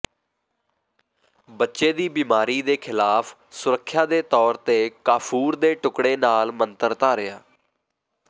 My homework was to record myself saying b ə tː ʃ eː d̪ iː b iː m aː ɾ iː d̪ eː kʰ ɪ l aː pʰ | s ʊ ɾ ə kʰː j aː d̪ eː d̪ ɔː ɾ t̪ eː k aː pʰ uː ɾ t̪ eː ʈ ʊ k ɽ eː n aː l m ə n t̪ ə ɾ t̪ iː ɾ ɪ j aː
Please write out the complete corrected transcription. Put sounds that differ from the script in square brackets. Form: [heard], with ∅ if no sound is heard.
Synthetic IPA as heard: b ə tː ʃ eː d̪ iː b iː m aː ɾ iː d̪ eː kʰ ɪ l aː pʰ | s ʊ ɾ ə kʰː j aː d̪ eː [t̪] ɔː ɾ t̪ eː k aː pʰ uː ɾ [d̪] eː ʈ ʊ k ɽ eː n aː l m ə n t̪ ə ɾ t̪ [aː] ɾ ɪ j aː